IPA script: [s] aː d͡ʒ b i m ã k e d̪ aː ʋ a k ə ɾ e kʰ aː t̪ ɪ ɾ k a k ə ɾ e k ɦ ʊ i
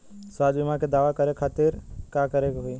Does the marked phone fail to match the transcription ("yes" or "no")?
no